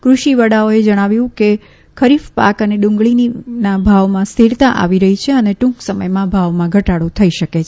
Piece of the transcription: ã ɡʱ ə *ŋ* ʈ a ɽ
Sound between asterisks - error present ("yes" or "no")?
yes